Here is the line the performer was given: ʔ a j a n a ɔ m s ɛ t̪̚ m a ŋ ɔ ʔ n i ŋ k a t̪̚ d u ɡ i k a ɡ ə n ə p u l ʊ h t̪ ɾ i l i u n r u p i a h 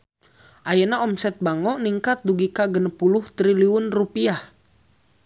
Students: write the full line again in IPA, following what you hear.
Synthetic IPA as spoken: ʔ a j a n a ɔ m s ɛ t̪̚ b a ŋ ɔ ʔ n i ŋ k a t̪̚ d u ɡ i k a ɡ ə n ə p u l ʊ h t̪ ɾ i l i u n r u p i a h